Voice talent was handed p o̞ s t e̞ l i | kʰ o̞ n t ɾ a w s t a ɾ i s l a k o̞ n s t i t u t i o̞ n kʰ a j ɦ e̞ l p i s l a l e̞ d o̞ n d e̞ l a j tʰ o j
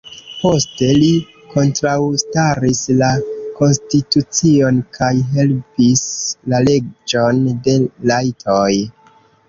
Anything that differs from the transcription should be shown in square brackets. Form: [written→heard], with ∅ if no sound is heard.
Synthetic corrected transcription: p o̞ s t e̞ l i | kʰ o̞ n t ɾ a w s t a ɾ i s l a k o̞ n s t i t u [t→t͡s] i o̞ n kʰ a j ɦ e̞ l p i s l a l e̞ [d→d͡ʒ] o̞ n d e̞ l a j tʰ o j